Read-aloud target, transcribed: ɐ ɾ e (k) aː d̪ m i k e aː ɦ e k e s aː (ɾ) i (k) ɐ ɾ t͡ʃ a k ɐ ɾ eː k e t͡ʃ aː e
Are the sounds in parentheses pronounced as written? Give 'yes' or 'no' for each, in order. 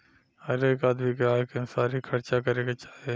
yes, yes, no

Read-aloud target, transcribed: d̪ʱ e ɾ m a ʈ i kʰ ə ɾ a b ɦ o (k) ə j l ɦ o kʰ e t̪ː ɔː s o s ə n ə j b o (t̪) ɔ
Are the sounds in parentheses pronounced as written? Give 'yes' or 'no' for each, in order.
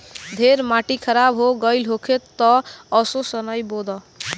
no, no

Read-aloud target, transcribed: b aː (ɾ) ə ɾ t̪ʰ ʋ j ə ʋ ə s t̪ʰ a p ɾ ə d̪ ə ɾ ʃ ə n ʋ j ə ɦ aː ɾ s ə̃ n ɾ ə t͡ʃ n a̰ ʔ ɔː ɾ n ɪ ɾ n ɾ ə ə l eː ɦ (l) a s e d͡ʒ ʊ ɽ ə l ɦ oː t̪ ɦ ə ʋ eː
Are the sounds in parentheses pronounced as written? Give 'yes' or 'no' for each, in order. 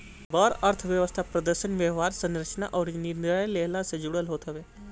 yes, yes

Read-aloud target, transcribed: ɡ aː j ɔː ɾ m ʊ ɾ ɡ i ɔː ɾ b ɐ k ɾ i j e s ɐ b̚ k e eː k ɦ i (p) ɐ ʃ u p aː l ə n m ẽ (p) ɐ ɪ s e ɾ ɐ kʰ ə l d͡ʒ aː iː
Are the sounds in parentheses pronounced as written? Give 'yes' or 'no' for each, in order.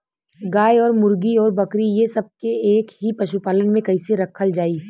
yes, no

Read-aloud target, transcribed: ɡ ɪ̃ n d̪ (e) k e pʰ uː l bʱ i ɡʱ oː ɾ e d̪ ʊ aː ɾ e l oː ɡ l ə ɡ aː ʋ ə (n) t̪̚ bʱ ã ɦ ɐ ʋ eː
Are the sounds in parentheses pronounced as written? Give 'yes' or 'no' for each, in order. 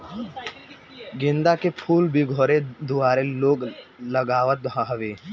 no, no

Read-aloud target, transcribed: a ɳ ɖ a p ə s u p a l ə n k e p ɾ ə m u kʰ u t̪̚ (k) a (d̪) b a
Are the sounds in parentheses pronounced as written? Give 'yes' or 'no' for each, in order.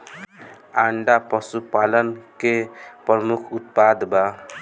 no, yes

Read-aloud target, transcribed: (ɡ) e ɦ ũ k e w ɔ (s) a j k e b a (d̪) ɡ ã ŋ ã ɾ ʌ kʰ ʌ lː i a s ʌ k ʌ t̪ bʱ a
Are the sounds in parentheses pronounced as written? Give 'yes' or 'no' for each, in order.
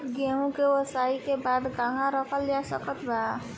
yes, yes, yes

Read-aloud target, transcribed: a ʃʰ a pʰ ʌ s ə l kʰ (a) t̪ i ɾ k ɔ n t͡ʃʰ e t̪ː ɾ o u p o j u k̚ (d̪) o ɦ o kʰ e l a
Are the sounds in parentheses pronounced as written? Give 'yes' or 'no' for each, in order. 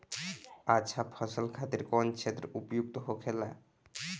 yes, no

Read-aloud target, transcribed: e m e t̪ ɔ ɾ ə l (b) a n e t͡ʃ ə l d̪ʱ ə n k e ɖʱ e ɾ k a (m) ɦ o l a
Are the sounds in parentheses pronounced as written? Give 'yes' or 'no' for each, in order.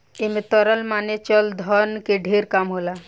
no, yes

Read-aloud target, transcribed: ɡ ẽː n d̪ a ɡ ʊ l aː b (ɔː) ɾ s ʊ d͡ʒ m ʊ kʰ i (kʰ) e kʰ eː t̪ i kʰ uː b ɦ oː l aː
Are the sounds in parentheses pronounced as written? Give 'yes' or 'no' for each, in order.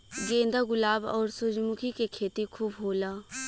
yes, no

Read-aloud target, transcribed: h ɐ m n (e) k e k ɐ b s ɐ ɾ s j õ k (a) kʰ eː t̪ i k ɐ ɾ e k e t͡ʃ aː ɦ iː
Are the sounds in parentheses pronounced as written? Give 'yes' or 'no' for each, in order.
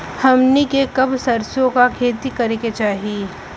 no, yes

